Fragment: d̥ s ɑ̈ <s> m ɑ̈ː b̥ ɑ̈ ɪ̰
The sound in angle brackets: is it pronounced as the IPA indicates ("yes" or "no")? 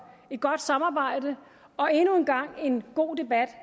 no